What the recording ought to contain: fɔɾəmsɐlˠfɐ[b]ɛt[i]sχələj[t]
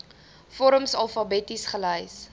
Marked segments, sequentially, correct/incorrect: correct, correct, incorrect

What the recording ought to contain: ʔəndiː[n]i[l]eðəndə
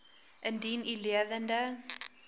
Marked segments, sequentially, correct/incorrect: correct, correct

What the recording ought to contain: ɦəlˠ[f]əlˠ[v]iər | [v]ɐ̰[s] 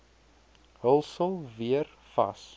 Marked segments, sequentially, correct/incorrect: incorrect, correct, incorrect, correct

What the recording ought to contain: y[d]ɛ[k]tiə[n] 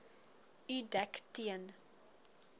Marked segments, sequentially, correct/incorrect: correct, correct, correct

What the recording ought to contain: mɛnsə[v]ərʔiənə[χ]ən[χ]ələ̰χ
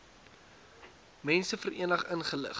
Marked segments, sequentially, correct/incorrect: incorrect, correct, correct

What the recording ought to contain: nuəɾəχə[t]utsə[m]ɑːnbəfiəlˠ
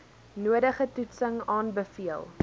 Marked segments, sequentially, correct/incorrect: correct, incorrect

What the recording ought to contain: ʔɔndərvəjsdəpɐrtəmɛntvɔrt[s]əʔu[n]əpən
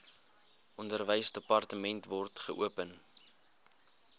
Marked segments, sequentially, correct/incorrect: incorrect, incorrect

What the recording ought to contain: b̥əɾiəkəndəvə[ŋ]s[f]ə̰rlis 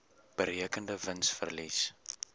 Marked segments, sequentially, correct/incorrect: incorrect, correct

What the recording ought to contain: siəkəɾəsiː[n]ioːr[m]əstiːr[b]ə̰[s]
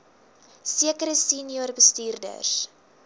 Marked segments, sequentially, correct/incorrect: correct, incorrect, incorrect, correct

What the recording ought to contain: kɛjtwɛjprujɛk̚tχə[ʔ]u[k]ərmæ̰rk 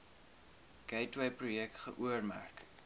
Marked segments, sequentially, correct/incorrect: correct, incorrect

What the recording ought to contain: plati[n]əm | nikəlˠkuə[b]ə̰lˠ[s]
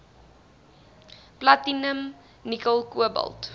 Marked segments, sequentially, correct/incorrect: correct, correct, incorrect

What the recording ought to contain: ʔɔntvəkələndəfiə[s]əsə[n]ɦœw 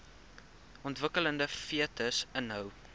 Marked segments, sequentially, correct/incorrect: incorrect, correct

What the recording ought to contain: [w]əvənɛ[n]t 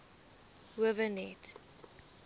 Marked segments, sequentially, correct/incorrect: correct, incorrect

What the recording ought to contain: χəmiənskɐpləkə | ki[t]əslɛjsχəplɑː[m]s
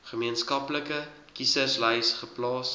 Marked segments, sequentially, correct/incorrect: incorrect, incorrect

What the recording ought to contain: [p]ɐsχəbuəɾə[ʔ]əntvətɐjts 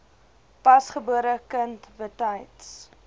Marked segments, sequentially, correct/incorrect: correct, incorrect

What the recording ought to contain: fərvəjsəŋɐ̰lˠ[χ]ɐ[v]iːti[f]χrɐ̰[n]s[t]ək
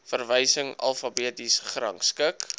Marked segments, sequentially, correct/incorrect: incorrect, incorrect, incorrect, incorrect, incorrect

